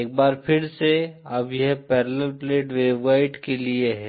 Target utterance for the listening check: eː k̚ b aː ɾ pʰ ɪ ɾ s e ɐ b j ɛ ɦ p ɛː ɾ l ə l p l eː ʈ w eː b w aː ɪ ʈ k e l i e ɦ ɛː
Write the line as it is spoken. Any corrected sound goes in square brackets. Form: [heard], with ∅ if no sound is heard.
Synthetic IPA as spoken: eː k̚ b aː ɾ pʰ ɪ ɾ s e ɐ b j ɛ ɦ p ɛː ɾ l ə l p l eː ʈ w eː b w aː ɪ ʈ k e l i e ɦ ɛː